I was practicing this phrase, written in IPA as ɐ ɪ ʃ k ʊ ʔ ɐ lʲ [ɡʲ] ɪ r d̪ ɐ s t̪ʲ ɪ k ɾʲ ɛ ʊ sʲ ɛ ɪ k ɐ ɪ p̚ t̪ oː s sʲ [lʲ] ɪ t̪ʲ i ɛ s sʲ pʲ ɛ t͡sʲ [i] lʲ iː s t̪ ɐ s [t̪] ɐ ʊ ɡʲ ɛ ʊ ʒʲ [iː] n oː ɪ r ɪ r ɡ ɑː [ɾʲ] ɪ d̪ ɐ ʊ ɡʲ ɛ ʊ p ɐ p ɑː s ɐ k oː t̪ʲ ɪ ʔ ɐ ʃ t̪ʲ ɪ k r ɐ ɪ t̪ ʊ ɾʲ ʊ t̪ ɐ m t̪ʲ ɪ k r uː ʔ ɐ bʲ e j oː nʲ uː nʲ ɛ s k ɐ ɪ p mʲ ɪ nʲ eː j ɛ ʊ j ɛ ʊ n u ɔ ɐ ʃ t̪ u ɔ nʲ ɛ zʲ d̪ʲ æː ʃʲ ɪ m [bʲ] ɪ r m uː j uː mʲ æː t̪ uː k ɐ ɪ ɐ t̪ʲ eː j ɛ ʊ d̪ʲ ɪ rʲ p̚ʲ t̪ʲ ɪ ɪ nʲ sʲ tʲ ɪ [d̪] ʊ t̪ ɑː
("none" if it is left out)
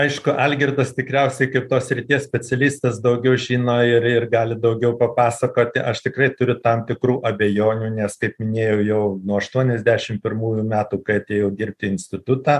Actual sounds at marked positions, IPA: ɡʲ, ɾʲ, ɛ, d̪, iː, lʲ, pʲ, t̪

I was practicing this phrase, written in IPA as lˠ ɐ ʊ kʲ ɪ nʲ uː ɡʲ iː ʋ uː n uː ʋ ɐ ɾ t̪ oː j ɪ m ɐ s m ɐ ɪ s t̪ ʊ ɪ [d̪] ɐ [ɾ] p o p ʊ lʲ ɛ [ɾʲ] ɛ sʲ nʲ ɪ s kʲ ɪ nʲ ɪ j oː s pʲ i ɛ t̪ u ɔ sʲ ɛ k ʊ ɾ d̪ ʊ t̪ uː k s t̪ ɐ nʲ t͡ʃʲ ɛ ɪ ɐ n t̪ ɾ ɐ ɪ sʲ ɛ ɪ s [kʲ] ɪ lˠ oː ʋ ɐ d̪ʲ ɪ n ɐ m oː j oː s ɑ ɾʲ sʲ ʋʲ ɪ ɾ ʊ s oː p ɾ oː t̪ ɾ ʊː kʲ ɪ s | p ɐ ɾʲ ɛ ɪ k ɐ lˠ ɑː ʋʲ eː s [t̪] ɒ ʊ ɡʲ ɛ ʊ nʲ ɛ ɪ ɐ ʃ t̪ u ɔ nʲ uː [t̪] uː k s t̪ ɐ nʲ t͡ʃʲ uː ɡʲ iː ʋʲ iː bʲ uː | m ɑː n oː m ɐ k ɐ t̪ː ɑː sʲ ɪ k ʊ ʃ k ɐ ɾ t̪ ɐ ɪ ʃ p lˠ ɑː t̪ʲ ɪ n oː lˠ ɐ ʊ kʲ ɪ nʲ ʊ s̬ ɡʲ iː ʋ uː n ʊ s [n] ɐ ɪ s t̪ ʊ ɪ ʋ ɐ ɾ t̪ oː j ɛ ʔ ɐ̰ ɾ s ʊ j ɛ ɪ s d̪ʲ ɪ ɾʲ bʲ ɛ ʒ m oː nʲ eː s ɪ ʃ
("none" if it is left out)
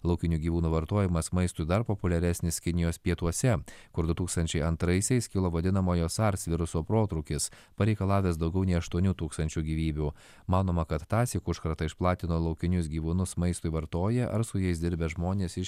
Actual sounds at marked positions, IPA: d̪, ɾ, ɾʲ, kʲ, d̪, t̪, m

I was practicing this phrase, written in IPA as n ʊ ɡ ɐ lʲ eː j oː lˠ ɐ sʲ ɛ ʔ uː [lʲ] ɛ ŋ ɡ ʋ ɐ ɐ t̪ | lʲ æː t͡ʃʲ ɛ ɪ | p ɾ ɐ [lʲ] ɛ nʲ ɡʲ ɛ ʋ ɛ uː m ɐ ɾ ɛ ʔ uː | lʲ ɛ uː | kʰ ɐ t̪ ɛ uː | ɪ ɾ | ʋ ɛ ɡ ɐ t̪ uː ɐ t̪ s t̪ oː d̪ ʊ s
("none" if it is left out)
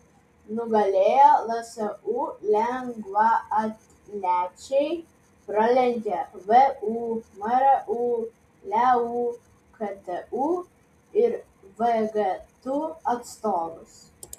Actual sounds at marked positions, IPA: lʲ, lʲ

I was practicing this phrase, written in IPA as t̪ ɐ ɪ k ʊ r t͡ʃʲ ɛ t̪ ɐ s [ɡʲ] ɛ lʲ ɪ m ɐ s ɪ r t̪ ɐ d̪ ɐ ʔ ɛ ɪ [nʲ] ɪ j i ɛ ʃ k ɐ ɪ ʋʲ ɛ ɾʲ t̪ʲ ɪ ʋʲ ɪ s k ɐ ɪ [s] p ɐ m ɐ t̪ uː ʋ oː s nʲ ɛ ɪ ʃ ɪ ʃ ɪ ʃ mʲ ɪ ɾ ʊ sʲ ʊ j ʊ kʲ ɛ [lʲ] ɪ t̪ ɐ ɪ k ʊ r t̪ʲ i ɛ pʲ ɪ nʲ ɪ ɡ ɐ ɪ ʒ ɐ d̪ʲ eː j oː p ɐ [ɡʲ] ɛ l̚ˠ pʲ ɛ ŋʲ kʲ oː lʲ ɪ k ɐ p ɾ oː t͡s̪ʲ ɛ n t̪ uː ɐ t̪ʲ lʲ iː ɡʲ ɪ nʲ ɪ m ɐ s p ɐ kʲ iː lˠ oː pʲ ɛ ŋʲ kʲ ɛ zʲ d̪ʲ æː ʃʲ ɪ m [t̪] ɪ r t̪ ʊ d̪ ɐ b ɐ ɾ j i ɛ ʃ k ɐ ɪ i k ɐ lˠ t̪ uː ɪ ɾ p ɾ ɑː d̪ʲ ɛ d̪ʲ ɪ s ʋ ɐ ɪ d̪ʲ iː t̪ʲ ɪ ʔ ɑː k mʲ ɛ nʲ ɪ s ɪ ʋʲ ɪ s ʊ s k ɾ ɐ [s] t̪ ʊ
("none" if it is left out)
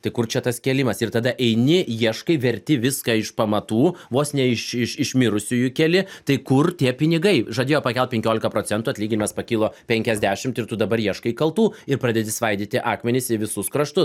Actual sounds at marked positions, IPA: kʲ, nʲ, ʃ, lʲ, kʲ, t̪, ʃ

